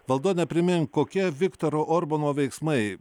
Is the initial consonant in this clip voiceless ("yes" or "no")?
no